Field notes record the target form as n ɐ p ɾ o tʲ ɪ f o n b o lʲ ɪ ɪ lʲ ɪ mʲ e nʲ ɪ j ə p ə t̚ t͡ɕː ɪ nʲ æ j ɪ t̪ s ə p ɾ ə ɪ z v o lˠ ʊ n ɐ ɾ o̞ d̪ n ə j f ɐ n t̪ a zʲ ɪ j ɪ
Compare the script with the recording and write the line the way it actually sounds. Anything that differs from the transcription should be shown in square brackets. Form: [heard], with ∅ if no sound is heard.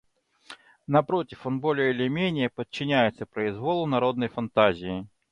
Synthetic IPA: n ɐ p ɾ o tʲ ɪ f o n b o lʲ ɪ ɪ lʲ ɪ mʲ e nʲ ɪ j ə p ə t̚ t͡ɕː ɪ nʲ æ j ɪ t̪ s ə p ɾ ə ɪ z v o lˠ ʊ n ɐ ɾ o̞ d̪ n ə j f ɐ n t̪ a zʲ ɪ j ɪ